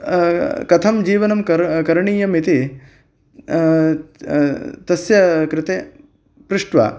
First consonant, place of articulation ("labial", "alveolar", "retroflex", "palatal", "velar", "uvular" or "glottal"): velar